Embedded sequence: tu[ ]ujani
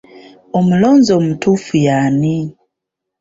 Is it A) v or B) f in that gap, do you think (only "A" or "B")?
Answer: B